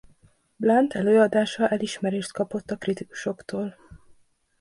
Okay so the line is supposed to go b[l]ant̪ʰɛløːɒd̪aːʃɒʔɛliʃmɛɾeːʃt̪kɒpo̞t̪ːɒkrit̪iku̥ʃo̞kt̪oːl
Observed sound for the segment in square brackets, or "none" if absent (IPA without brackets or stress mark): l